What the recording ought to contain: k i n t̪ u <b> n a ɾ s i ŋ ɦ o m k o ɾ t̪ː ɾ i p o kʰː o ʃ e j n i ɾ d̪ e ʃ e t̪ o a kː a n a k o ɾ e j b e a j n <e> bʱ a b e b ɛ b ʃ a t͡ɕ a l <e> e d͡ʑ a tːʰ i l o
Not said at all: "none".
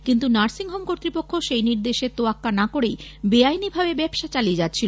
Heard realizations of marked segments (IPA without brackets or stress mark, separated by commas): none, i, i